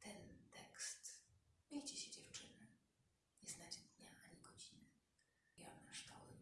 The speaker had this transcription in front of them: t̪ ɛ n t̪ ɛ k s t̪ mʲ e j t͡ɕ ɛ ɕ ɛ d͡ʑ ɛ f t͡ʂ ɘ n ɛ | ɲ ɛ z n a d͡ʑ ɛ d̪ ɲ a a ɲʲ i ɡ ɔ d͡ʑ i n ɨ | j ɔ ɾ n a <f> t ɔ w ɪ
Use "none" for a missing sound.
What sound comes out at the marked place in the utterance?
ʂ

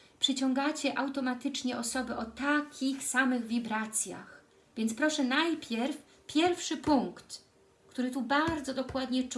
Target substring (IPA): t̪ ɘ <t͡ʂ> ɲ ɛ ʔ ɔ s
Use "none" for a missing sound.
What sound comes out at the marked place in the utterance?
t͡ʂ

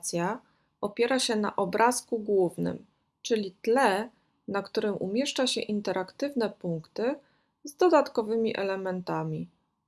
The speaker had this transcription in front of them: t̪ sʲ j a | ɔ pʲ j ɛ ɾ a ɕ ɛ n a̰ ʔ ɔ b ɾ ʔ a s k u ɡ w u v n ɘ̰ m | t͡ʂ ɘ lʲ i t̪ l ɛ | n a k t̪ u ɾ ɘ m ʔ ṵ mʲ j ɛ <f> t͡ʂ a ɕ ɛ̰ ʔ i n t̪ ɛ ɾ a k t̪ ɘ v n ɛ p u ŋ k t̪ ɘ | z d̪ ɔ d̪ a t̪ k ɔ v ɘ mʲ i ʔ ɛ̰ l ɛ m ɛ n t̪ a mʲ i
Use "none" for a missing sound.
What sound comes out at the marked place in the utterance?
ʂ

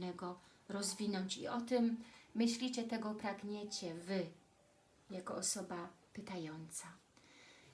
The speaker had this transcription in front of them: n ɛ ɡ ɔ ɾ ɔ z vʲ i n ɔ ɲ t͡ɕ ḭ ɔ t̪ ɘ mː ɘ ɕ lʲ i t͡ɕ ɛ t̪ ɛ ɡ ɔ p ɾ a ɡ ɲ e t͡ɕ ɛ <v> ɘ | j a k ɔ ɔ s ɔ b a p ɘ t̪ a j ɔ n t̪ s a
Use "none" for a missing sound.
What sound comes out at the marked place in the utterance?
v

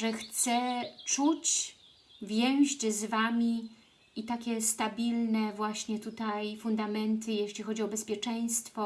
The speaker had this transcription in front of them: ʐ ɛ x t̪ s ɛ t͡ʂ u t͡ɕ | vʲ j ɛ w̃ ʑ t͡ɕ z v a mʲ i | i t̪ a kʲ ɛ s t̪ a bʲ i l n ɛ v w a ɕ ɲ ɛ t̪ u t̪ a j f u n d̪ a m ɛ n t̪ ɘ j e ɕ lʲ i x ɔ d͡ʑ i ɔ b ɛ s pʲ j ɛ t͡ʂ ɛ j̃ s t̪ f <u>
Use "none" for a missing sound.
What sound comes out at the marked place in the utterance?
ɔ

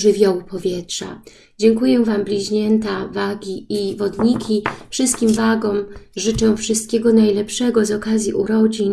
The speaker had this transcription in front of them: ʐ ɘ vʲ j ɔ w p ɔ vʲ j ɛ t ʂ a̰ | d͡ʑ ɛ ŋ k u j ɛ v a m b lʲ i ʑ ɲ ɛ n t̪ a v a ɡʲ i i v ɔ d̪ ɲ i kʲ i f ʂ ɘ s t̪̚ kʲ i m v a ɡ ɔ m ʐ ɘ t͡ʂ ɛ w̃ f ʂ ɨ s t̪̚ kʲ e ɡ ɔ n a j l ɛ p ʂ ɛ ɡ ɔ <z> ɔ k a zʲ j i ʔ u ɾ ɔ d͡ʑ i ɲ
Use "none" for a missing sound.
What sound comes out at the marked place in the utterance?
z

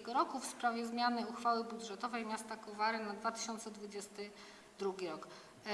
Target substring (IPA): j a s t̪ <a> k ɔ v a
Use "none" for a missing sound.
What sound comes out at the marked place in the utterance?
a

